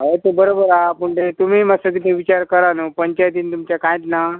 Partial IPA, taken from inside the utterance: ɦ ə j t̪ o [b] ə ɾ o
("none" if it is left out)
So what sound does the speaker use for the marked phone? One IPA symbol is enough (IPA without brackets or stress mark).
b